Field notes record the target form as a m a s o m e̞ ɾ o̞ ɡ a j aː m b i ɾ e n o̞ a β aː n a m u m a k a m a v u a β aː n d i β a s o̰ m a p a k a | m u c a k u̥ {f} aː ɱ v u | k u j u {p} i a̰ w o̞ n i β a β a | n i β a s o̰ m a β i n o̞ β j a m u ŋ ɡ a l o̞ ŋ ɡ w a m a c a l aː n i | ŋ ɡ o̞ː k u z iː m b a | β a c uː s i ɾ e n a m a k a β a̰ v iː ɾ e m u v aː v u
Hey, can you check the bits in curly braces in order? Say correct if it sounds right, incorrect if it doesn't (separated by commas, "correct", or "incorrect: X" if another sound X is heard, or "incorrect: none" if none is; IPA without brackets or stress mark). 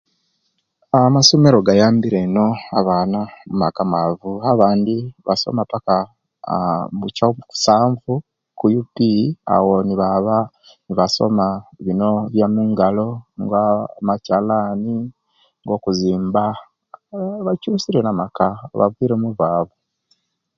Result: incorrect: s, correct